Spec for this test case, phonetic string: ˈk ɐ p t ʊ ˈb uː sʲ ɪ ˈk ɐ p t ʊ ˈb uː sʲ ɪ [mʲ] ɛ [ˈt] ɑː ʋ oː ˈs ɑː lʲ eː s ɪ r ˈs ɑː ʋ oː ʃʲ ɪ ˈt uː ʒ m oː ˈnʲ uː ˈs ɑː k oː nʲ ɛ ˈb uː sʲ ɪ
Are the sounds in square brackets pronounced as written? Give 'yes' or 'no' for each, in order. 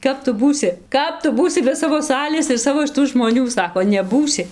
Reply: no, no

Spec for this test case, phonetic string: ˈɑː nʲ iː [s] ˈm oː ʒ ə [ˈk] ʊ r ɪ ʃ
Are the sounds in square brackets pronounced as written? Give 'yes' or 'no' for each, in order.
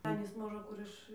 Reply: yes, yes

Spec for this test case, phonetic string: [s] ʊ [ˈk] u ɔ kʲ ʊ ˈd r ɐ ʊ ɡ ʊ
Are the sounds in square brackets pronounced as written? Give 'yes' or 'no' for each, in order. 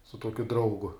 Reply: yes, no

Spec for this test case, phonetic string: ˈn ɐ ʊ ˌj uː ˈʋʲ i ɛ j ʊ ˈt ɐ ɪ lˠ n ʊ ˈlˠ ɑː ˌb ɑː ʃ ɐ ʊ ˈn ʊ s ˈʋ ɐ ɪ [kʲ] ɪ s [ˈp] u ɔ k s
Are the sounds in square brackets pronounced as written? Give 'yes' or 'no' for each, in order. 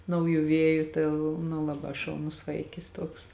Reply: yes, no

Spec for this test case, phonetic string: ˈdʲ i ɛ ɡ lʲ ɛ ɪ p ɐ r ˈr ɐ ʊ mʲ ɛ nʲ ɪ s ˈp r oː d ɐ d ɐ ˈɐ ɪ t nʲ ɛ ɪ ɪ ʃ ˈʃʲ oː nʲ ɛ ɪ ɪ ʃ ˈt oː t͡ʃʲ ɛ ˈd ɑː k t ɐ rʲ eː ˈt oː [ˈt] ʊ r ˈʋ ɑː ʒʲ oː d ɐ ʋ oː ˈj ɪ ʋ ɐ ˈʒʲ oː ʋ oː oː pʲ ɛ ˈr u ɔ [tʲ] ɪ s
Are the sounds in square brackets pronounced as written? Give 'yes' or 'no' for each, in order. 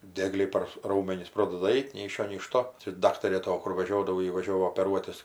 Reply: no, yes

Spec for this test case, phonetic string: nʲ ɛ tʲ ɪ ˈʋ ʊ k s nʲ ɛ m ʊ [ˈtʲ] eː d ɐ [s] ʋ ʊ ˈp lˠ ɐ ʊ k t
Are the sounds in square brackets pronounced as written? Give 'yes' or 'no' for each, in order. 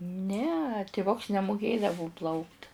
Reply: no, no

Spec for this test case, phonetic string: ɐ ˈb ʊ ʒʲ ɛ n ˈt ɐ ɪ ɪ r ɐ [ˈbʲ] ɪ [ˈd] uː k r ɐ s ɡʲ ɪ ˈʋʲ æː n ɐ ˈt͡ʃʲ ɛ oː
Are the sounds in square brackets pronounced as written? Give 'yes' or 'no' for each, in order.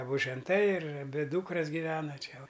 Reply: yes, yes

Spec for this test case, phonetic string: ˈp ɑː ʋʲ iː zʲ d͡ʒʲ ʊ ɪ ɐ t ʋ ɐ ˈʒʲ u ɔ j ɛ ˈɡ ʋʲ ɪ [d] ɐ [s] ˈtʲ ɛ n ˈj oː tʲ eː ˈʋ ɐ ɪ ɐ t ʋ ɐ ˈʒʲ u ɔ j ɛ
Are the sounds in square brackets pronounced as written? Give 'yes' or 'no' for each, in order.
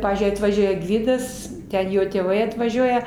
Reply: yes, yes

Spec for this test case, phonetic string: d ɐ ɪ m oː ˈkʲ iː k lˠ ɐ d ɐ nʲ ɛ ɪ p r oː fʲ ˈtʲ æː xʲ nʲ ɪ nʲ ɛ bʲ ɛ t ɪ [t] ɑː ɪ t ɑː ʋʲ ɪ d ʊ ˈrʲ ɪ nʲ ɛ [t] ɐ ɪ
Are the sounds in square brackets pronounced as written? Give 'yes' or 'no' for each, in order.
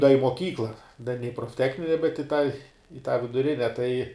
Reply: yes, yes

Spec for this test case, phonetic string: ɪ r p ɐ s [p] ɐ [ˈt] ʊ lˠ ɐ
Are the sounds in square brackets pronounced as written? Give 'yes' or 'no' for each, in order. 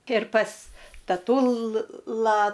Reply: no, yes

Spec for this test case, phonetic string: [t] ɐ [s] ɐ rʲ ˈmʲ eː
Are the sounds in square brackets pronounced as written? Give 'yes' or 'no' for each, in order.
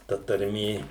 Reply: yes, no

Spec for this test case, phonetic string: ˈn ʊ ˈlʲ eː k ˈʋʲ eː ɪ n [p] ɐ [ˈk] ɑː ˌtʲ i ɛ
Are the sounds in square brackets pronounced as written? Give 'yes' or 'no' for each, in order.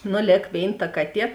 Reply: no, yes

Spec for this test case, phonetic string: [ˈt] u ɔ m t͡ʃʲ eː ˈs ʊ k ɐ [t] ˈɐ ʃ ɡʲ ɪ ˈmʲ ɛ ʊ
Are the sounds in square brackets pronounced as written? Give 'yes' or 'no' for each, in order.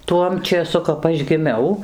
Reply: yes, no

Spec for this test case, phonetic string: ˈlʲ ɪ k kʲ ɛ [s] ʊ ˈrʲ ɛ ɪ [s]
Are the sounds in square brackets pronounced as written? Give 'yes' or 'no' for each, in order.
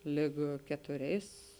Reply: no, yes

